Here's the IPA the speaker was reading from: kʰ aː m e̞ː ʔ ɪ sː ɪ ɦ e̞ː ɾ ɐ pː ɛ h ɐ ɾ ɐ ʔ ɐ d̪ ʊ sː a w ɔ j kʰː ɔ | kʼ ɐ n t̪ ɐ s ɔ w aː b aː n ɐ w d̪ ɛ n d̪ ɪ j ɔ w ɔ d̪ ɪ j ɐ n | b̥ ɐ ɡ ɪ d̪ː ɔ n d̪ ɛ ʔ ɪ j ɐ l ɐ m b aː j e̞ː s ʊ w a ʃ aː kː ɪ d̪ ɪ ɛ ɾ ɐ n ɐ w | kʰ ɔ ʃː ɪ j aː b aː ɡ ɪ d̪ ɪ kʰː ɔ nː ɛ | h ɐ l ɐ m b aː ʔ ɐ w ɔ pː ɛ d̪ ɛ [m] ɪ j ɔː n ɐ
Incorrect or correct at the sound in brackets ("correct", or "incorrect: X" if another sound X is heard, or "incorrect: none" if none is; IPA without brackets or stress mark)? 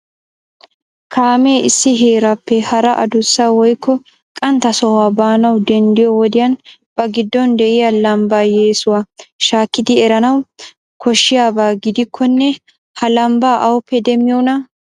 correct